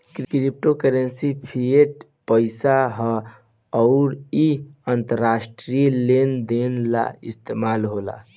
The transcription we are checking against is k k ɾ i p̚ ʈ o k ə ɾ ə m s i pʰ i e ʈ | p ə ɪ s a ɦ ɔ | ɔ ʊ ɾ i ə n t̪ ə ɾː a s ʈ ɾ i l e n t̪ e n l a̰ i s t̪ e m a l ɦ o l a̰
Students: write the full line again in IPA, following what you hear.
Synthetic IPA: k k ɾ i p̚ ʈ o k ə ɾ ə n s i pʰ i e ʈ | p ə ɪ s a ɦ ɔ | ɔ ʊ ɾ i ə n t̪ ə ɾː a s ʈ ɾ i l e n d̪ e n l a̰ i s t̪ e m a l ɦ o l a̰